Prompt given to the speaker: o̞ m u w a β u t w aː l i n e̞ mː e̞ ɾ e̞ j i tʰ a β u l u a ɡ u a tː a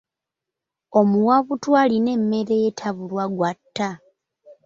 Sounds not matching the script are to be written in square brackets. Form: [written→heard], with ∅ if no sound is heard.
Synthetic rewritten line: o̞ m u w a β u t w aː l i n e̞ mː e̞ ɾ e̞ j [i→e] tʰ a β u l [u→w] a ɡ [u→w] a tː a